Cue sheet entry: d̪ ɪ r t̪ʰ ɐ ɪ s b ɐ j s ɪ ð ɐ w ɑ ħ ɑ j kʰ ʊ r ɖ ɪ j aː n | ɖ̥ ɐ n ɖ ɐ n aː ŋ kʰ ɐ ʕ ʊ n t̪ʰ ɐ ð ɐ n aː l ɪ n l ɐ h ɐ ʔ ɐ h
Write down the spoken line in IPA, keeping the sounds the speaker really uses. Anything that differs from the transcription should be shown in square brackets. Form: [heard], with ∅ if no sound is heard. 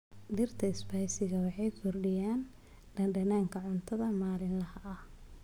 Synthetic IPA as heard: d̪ ɪ r t̪ʰ ɐ ɪ s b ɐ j s ɪ [ɣ] ɐ w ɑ ħ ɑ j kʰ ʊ r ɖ ɪ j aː n | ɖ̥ ɐ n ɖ ɐ n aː ŋ kʰ ɐ ʕ ʊ n t̪ʰ ɐ ð ɐ [m] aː l ɪ n l ɐ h ɐ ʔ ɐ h